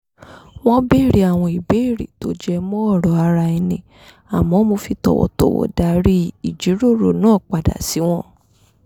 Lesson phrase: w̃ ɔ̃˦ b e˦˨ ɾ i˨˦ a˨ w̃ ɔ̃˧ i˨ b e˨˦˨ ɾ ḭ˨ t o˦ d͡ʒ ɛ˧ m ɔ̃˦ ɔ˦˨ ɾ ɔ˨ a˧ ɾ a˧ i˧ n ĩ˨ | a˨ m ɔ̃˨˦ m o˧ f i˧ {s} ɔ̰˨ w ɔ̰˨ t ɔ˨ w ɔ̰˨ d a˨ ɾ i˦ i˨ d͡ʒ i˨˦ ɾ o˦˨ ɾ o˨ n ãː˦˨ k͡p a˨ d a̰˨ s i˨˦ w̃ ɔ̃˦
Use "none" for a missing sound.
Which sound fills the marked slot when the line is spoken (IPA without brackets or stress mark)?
t